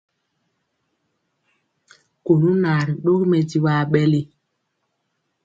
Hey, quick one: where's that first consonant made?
velum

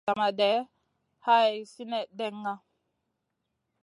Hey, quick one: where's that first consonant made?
lips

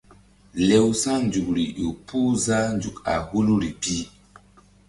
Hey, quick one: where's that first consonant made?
tongue tip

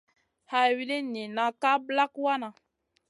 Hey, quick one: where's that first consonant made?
throat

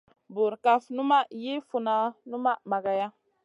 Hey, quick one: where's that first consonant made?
lips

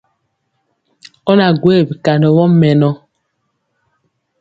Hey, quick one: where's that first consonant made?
tongue tip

